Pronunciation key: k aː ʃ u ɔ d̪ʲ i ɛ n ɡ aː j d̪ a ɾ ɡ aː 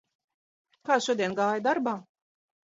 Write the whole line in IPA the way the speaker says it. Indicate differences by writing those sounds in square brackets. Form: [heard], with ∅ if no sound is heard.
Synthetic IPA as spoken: k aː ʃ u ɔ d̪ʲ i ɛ n ɡ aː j d̪ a ɾ [b] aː